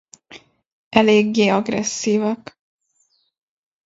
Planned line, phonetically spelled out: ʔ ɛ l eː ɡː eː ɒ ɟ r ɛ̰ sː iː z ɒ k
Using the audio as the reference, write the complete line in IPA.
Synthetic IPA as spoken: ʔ ɛ l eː ɡː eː ɒ ɡ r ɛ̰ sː iː v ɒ k